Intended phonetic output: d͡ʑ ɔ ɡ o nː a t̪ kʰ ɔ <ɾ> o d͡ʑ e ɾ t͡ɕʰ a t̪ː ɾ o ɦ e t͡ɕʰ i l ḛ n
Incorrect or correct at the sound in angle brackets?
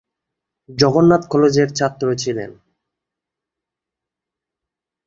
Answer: incorrect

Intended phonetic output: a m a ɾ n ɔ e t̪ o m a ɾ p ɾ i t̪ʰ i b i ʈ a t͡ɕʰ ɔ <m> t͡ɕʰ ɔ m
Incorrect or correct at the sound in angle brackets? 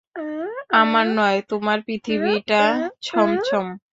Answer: correct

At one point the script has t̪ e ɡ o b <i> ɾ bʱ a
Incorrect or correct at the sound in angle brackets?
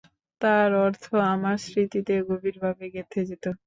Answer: correct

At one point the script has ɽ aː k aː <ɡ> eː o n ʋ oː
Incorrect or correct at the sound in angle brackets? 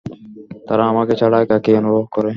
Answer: incorrect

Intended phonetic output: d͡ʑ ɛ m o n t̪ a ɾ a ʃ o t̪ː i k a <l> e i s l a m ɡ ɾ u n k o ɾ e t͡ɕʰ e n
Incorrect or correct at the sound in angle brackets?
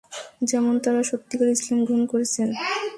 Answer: incorrect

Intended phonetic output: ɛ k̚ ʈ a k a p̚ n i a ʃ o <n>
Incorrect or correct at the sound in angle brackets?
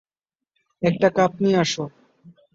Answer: incorrect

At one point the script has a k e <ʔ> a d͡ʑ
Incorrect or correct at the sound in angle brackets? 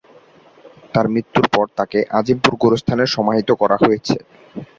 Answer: correct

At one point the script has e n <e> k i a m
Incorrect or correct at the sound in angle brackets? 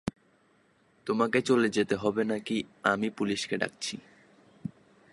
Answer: incorrect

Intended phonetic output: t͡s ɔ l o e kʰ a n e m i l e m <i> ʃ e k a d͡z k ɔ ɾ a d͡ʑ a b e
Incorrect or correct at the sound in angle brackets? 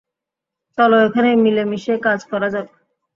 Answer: correct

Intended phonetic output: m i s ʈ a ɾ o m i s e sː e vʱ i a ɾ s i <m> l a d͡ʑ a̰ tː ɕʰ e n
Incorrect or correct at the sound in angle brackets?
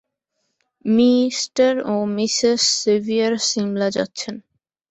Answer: correct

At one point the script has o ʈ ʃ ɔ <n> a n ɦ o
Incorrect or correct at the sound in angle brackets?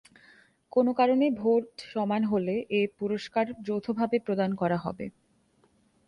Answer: incorrect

